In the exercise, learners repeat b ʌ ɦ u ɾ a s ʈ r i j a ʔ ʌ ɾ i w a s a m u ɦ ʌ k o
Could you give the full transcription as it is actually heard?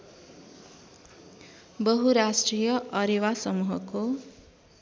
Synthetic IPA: b ʌ ɦ u ɾ a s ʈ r i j ʌ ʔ ʌ ɾ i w a s ʌ m u ɦ ʌ k o